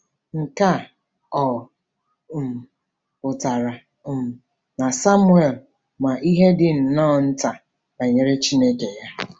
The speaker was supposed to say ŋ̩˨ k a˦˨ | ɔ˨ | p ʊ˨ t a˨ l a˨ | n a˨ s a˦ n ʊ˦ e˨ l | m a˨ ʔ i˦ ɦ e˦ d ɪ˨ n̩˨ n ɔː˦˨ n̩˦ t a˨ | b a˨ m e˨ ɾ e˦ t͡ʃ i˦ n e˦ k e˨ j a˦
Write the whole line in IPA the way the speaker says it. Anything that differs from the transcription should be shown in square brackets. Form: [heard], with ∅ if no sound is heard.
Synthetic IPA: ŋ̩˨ k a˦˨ | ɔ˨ | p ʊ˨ t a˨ [ɾ] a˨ | n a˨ s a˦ [m] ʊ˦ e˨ l | m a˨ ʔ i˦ ɦ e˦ d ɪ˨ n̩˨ n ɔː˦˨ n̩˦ t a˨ | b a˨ [ɲ] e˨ ɾ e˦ t͡ʃ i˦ n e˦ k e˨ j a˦